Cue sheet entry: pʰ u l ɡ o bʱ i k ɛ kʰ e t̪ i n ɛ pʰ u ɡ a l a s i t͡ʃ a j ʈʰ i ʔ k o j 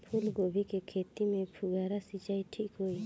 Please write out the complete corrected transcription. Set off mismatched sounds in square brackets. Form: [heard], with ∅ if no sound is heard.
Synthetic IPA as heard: pʰ u l ɡ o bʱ i k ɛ kʰ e t̪ i [m] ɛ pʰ u ɡ a [ɾ] a s i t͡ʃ a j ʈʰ i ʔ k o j